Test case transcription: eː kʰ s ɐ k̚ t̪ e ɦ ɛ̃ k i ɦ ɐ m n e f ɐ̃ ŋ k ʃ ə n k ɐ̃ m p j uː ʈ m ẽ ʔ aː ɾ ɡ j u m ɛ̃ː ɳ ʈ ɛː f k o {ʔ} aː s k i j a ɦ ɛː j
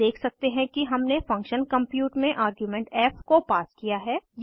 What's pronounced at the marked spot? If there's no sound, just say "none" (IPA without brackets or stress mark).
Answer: p